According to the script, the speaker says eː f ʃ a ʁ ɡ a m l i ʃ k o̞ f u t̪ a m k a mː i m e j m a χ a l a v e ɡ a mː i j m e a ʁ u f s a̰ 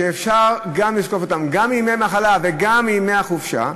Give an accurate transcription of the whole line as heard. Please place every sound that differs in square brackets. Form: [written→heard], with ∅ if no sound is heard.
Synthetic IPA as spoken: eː f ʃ a ʁ ɡ a m l i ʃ k o̞ f [u→o] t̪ a m [k→ɡ] a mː i m e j m a χ a l a v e ɡ a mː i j m e a [ʁ→χ] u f [s→ʃ] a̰